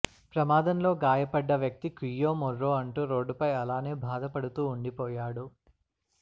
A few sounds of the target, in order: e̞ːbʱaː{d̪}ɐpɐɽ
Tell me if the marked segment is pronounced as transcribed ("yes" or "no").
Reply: yes